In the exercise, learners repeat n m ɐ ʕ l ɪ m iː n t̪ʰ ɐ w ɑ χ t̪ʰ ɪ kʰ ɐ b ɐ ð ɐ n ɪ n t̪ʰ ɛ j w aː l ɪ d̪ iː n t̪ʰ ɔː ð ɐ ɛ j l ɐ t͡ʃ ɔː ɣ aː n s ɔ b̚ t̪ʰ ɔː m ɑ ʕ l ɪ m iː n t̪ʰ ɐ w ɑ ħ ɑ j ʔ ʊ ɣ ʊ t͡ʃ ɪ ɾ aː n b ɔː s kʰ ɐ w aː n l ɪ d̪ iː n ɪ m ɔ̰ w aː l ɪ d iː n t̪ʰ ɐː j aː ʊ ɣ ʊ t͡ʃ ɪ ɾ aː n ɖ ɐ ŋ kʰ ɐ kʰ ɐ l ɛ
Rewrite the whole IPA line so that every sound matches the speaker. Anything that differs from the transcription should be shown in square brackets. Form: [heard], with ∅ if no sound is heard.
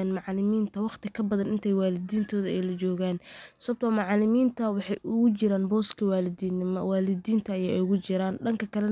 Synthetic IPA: n m [ɑ] ʕ l ɪ m iː n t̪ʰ ɐ w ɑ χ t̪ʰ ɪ kʰ ɐ b ɐ ð ɐ n ɪ n t̪ʰ ɛ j w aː l ɪ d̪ iː n t̪ʰ ɔː ð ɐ ɛ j l ɐ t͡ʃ ɔː ɣ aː n s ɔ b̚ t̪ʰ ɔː m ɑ ʕ l ɪ m iː n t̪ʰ ɐ w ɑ ħ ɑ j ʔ ʊ ɣ ʊ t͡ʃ ɪ ɾ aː n b ɔː s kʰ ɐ w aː [∅] l ɪ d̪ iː n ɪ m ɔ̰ w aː l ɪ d iː n t̪ʰ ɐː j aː ʊ ɣ ʊ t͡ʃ ɪ ɾ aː n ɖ ɐ ŋ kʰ ɐ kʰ ɐ l ɛ

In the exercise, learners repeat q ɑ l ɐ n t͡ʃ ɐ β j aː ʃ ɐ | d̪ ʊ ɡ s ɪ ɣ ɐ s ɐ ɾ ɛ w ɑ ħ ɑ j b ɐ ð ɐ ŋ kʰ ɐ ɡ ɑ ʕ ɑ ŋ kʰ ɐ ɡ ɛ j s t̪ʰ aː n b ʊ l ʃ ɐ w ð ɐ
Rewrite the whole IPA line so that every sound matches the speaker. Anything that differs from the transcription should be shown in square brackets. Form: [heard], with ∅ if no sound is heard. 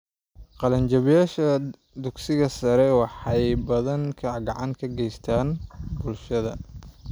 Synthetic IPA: q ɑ l ɐ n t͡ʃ ɐ β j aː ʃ ɐ | d̪ ʊ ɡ s ɪ ɣ ɐ s ɐ ɾ ɛ w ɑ ħ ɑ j b ɐ ð ɐ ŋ kʰ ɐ ɡ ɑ ʕ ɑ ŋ kʰ ɐ ɡ ɛ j s t̪ʰ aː n b ʊ l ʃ ɐ [∅] ð ɐ

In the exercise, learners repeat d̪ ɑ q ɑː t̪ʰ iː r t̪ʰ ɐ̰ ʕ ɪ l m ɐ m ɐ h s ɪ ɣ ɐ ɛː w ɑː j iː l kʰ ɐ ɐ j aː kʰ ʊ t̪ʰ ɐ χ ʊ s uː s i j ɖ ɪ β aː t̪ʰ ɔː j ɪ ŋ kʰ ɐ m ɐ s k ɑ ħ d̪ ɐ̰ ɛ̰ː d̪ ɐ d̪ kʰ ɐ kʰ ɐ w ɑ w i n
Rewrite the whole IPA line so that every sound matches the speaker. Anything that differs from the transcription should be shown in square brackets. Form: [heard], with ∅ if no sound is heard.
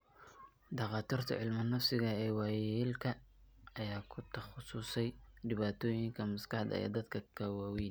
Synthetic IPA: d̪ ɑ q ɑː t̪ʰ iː r t̪ʰ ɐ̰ ʕ ɪ l m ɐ [n] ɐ [f] s ɪ ɣ ɐ ɛː w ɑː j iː l kʰ ɐ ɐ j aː kʰ ʊ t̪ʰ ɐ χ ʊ s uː s [ɛ] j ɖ ɪ β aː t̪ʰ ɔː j ɪ ŋ kʰ ɐ m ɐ s k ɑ ħ d̪ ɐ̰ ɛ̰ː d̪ ɐ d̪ kʰ ɐ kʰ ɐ w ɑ w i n

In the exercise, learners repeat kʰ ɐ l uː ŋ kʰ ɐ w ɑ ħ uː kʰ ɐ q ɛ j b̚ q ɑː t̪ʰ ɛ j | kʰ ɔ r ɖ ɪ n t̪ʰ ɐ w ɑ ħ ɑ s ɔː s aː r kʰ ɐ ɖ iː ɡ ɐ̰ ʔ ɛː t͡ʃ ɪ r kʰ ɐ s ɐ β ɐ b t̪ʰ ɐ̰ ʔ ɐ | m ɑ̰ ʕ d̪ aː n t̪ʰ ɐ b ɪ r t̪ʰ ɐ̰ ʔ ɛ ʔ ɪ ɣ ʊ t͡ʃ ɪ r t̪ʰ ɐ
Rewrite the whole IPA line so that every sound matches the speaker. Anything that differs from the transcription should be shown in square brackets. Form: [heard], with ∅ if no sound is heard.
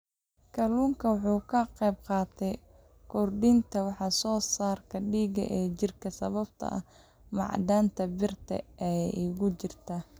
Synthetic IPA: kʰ ɐ l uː ŋ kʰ ɐ w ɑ ħ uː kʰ ɐ q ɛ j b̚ q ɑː t̪ʰ ɛ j | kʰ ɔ r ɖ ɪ n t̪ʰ ɐ w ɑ ħ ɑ s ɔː s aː r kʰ ɐ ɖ iː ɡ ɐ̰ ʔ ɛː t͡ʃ ɪ r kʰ ɐ s ɐ β ɐ b t̪ʰ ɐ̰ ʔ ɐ | m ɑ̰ ʕ d̪ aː n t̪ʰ ɐ b ɪ r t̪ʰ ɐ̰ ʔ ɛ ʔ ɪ ɣ ʊ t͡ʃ ɪ r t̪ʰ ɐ

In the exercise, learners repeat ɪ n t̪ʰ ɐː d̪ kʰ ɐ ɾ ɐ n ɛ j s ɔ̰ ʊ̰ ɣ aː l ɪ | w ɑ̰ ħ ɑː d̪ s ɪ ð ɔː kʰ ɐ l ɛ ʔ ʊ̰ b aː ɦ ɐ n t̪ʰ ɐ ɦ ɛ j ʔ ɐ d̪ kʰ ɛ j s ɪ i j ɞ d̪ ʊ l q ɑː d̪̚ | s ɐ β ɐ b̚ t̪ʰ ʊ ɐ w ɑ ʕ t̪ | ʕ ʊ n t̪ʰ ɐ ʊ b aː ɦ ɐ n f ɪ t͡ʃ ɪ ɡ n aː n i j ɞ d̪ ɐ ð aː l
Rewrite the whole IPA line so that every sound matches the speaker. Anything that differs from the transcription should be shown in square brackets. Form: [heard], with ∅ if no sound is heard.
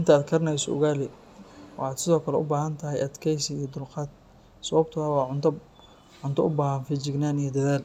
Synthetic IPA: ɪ n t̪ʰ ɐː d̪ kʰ ɐ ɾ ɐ n ɛ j s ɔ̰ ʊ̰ ɣ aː l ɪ | w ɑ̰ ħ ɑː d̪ s ɪ ð ɔː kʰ ɐ l ɛ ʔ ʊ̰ b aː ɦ ɐ n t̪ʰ ɐ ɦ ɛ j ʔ ɐ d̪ kʰ ɛ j s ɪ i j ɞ d̪ ʊ l q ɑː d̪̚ | s ɐ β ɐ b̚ t̪ʰ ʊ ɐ w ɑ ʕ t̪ | ʕ ʊ n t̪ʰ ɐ ʊ b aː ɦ ɐ n f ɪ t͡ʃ ɪ ɡ n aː n i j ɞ d̪ ɐ ð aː l

